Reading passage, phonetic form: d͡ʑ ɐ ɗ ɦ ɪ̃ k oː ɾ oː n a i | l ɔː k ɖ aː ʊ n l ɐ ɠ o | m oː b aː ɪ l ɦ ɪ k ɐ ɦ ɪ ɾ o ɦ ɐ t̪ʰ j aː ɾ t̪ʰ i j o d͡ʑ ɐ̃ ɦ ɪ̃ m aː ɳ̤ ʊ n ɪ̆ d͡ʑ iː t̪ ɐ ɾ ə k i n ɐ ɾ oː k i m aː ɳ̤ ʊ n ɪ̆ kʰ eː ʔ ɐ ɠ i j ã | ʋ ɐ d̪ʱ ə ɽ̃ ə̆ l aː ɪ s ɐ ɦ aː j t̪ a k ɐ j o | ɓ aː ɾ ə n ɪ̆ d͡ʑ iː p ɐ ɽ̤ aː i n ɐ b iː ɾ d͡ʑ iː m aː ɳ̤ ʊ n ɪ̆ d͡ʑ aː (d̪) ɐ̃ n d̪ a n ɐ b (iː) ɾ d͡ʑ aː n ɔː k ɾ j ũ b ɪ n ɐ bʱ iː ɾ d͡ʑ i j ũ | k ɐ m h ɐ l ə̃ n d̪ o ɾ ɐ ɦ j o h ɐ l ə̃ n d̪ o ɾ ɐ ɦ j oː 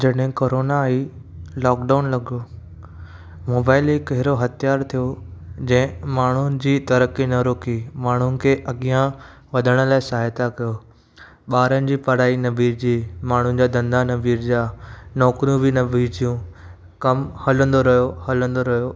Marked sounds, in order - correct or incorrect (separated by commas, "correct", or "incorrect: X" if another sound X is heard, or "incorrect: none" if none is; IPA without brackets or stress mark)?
correct, correct